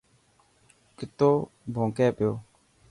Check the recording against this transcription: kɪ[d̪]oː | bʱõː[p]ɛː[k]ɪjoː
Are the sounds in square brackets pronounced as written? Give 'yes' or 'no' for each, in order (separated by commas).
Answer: no, no, no